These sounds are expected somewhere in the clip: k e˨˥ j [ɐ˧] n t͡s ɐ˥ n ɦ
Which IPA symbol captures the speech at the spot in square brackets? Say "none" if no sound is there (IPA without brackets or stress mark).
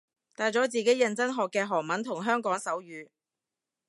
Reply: ɐ˧